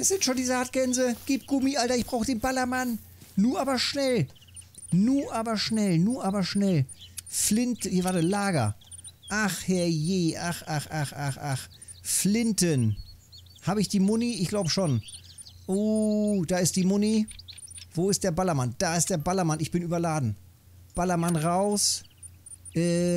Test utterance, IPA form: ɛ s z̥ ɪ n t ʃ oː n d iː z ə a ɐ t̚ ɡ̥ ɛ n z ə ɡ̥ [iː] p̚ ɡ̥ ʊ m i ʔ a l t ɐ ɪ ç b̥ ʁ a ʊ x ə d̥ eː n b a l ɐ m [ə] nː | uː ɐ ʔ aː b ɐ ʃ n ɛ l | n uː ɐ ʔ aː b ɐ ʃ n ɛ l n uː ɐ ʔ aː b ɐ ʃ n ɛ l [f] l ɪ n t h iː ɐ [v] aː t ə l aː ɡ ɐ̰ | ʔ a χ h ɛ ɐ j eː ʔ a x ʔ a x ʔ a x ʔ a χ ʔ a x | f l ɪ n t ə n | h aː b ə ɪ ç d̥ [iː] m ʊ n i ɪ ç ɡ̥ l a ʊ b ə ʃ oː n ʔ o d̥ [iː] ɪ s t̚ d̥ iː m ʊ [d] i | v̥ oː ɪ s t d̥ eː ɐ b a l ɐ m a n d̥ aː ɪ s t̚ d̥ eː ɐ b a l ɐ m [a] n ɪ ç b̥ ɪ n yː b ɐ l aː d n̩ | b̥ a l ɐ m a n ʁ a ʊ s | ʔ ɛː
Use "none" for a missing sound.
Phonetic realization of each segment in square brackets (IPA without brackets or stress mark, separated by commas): iː, a, f, v, iː, aː, n, a